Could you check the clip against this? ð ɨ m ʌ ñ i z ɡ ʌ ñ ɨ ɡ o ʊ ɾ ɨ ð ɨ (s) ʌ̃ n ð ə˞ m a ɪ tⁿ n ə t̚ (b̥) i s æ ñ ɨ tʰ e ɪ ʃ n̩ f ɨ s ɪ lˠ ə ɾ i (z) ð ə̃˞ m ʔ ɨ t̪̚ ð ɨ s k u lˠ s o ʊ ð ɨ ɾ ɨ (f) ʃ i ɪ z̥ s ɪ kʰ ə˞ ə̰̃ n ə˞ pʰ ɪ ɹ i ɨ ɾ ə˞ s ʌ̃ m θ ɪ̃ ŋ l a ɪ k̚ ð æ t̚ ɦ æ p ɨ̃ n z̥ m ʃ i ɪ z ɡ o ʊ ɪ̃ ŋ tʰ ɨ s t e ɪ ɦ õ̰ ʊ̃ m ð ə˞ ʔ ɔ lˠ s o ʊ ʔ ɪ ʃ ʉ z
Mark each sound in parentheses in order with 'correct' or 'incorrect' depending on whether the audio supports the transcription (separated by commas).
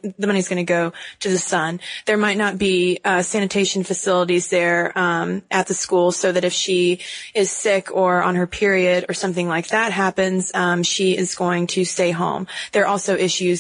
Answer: correct, correct, correct, correct